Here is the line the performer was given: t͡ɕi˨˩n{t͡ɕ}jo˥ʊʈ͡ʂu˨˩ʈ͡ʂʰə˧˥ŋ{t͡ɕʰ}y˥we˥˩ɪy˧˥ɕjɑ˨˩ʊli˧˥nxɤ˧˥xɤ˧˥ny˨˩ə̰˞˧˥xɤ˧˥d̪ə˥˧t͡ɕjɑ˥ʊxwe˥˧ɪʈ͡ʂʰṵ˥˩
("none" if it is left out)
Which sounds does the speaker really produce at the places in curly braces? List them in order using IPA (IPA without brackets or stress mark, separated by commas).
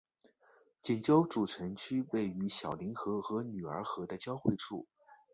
t͡ɕ, t͡ɕʰ